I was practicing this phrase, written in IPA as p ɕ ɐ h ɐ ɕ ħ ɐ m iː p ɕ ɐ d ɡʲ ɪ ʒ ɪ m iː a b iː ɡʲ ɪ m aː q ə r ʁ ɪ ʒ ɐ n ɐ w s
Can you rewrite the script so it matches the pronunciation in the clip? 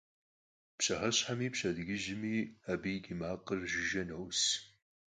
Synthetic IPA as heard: p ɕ ɐ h ɐ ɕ ħ a m iː p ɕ ɐ d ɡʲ ɪ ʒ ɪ m iː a b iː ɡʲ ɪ m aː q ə r ʒ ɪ ʒ ɐ n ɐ w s